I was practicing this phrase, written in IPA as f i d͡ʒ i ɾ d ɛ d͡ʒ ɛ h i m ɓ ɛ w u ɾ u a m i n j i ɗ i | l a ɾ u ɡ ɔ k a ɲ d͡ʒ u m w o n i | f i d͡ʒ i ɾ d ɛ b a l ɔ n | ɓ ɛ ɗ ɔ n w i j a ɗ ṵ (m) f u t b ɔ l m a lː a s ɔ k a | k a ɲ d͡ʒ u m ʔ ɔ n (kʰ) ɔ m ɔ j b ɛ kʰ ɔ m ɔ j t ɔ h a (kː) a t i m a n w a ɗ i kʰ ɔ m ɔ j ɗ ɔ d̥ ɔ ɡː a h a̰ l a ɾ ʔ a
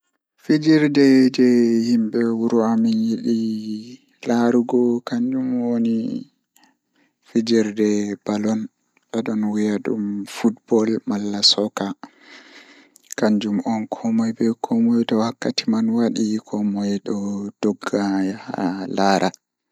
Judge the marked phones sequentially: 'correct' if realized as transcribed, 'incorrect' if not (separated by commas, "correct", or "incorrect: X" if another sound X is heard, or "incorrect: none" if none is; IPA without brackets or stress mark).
correct, correct, correct